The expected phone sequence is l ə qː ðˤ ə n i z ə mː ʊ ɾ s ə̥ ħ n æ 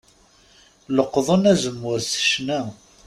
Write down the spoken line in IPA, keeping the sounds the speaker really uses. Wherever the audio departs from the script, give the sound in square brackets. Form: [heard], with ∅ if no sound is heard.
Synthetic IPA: l ə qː ðˤ ə n [æ] z ə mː ʊ ɾ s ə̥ [ʃ] n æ